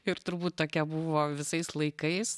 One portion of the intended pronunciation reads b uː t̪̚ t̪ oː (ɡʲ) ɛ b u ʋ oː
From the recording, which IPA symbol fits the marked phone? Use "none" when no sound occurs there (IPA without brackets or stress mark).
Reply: kʲ